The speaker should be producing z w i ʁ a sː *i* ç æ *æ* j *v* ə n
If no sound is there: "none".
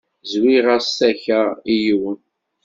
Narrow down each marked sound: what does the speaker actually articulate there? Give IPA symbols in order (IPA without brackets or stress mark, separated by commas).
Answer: æ, i, w